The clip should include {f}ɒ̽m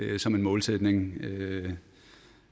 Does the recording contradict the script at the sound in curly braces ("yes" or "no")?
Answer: yes